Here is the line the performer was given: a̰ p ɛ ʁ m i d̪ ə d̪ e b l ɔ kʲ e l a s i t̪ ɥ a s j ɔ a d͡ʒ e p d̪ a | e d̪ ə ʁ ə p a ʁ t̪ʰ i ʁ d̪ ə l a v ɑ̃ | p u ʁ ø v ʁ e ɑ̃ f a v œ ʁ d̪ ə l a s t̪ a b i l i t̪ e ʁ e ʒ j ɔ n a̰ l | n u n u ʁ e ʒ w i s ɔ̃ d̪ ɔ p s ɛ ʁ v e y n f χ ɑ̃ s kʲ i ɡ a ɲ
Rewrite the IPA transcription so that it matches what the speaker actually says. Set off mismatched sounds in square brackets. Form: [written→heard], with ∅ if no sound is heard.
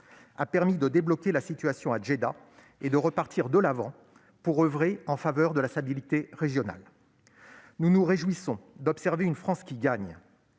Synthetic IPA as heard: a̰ p ɛ ʁ m i d̪ ə d̪ e b l ɔ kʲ e l a s i t̪ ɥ a s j [ɔ→ɔ̃] a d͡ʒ e [p→∅] d̪ a | e d̪ ə ʁ ə p a ʁ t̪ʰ i ʁ d̪ ə l a v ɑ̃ | p u ʁ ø v ʁ e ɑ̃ f a v œ ʁ d̪ ə l a s t̪ a b i l i t̪ e ʁ e ʒ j ɔ n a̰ l | n u n u ʁ e ʒ w i s ɔ̃ d̪ ɔ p s ɛ ʁ v e y n f χ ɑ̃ s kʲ i ɡ a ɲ

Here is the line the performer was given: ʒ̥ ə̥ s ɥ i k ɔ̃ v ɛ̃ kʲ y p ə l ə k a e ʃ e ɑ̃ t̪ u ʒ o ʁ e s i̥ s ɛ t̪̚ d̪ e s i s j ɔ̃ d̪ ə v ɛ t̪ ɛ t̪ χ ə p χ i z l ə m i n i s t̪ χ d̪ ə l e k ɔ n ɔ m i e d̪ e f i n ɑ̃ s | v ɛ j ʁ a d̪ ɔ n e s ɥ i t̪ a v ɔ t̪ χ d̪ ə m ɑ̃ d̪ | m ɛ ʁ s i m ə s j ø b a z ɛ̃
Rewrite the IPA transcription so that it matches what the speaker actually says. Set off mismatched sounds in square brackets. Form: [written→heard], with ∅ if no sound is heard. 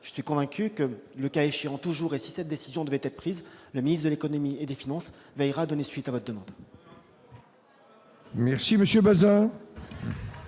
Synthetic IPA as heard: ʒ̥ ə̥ s ɥ i k ɔ̃ v ɛ̃ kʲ y [p→k] ə l ə k a e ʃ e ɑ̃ t̪ u ʒ [o→u] ʁ e s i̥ s ɛ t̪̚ d̪ e s i [s→z] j ɔ̃ d̪ ə v ɛ t̪ ɛ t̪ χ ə p χ i z l ə m i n i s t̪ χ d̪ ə l e k ɔ n ɔ m i e d̪ e f i n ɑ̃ s | v ɛ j ʁ a d̪ ɔ n e s ɥ i t̪ a v ɔ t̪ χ d̪ ə m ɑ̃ d̪ | m ɛ ʁ s i m ə s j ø b a z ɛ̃

